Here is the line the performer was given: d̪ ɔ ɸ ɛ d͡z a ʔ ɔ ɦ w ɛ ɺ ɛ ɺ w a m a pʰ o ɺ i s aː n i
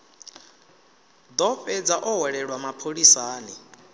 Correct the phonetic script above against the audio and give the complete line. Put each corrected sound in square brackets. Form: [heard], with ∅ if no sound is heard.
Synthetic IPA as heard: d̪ ɔ ɸ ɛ d͡z a ʔ ɔ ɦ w ɛ ɺ ɛ ɺ w a m a pʰ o ɺ i s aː n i